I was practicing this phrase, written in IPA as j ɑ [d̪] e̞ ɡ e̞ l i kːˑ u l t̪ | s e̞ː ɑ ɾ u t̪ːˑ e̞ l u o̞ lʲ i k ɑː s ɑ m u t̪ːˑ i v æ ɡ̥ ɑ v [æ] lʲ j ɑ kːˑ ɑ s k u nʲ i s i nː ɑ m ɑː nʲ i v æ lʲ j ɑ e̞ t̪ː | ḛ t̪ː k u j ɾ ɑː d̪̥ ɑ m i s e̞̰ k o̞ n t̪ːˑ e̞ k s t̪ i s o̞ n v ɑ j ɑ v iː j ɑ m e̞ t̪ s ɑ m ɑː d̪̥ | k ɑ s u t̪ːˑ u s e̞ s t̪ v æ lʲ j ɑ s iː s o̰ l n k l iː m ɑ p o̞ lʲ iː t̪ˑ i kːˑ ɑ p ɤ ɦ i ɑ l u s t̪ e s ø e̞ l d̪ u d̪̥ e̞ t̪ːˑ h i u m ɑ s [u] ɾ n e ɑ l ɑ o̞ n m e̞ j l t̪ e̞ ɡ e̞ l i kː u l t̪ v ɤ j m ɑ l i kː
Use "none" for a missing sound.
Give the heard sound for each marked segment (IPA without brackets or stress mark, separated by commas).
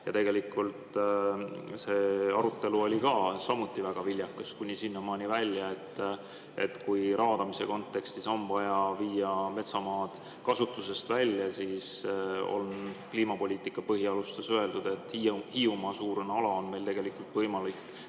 t̪, i, uː